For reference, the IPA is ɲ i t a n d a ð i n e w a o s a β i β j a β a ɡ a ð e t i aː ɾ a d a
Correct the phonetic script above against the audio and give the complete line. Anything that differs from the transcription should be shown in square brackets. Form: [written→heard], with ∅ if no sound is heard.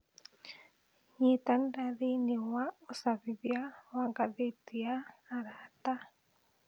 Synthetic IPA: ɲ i t a n d a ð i n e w a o s a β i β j a [β→w] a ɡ a ð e t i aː ɾ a [d→t] a